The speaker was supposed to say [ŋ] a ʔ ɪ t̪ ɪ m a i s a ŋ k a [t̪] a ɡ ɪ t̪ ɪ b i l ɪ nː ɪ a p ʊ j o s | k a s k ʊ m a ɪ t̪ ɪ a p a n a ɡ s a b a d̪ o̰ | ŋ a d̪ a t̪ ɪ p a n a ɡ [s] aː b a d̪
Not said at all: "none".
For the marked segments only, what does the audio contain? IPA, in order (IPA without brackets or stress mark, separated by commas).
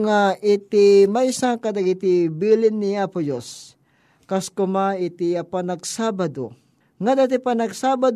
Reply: ŋ, d̪, s